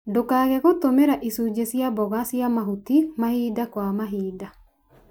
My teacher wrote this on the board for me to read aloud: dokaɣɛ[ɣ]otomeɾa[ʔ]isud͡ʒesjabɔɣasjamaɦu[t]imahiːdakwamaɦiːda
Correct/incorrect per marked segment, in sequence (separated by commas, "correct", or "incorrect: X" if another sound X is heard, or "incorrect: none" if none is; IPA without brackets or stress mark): correct, correct, correct